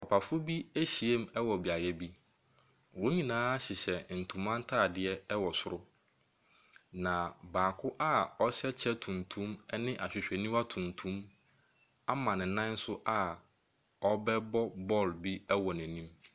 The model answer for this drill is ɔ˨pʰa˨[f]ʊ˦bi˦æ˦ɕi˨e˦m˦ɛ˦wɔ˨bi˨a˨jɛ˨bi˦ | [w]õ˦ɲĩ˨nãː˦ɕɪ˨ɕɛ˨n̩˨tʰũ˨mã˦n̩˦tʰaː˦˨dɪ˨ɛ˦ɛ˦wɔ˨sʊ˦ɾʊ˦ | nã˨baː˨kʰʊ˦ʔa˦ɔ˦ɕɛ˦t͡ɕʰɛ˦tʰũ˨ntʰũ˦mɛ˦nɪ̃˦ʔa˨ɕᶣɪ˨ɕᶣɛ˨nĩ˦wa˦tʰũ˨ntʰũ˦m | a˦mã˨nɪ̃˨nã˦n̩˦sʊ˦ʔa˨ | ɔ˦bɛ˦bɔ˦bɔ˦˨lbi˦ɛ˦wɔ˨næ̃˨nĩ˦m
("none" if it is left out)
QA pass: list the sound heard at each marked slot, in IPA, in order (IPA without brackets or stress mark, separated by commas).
f, w